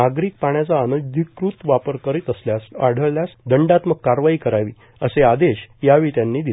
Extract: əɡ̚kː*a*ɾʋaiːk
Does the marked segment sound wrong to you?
no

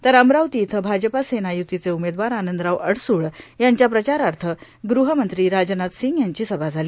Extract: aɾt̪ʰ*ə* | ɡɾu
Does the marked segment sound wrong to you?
no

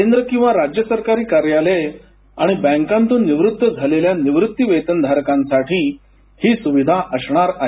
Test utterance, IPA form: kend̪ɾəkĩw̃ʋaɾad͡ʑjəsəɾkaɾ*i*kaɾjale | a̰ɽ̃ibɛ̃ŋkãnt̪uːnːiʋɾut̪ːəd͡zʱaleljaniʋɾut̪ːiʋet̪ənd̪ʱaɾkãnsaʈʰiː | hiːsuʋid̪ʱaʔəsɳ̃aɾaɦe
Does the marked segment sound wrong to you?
yes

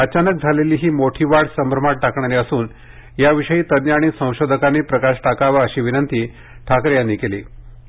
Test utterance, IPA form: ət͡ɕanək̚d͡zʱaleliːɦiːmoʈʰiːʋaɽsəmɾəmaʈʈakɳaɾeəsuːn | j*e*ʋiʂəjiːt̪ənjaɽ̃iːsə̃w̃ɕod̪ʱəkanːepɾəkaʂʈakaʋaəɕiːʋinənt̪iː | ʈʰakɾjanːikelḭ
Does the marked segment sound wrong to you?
yes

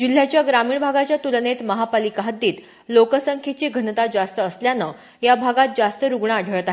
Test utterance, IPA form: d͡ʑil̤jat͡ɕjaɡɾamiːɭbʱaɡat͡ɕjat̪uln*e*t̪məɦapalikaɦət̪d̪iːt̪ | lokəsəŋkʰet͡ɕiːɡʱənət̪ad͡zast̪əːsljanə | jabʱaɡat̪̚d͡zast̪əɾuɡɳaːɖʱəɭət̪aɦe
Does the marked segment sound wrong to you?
no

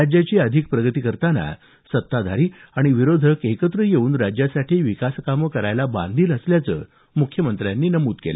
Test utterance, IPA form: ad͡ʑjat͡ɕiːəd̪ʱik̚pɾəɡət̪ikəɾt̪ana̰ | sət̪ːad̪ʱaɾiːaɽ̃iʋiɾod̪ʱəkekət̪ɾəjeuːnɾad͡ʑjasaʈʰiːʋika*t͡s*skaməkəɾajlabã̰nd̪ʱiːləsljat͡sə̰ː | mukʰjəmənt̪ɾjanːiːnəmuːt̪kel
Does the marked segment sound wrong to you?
yes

